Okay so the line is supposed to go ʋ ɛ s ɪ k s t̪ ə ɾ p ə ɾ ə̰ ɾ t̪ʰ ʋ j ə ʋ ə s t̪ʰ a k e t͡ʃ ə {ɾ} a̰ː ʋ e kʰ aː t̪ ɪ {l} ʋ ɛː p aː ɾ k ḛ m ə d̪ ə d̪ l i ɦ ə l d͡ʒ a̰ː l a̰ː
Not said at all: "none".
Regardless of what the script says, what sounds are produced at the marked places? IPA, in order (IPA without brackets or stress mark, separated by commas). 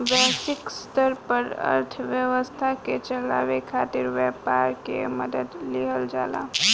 l, ɾ